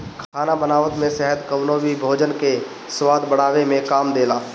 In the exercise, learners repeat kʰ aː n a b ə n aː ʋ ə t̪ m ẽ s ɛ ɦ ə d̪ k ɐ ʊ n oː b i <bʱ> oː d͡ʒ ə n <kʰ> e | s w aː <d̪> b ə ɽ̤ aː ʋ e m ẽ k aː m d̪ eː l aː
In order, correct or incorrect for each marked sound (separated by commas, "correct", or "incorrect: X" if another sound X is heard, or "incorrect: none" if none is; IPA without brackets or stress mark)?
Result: correct, incorrect: k, correct